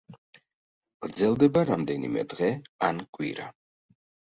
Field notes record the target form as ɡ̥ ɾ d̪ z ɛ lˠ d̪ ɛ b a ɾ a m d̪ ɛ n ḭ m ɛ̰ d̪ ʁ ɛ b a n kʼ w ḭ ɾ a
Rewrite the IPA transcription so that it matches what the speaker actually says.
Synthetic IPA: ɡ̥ ɾ d̪ z ɛ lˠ d̪ ɛ b a ɾ a m d̪ ɛ n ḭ m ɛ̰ d̪ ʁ ɛ a n kʼ w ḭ ɾ a